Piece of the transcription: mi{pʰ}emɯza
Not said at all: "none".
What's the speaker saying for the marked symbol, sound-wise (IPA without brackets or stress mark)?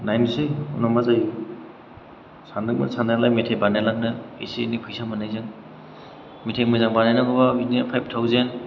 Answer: tʰ